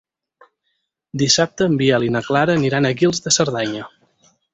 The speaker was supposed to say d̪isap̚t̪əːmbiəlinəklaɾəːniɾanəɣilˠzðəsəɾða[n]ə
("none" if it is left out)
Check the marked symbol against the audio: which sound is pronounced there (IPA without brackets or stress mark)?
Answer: ɲ